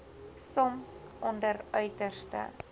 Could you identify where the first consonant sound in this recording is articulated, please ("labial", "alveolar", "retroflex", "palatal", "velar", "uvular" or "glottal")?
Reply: alveolar